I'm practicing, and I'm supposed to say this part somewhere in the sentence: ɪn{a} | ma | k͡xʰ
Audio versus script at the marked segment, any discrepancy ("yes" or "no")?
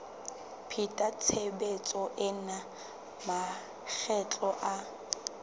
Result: no